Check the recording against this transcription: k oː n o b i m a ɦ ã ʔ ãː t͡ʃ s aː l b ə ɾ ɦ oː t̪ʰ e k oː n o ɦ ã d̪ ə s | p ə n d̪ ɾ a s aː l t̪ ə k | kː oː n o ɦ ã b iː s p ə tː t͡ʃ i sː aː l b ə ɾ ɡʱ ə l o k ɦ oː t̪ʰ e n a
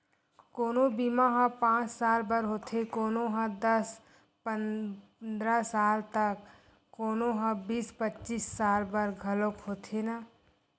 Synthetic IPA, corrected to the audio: k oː n o b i m a ɦ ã p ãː t͡ʃ s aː l b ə ɾ ɦ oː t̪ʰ e k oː n o ɦ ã d̪ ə s | p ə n d̪ ɾ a s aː l t̪ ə k | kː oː n o ɦ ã b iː s p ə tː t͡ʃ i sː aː l b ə ɾ ɡʱ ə l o k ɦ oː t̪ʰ e n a